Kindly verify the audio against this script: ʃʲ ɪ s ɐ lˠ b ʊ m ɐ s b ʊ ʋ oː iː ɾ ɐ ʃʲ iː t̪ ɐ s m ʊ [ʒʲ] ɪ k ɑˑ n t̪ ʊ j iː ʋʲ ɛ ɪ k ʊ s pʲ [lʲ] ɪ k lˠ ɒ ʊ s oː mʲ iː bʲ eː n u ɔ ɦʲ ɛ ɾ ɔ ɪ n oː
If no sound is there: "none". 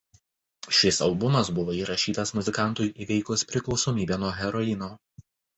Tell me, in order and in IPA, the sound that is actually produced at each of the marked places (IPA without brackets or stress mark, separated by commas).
zʲ, ɾʲ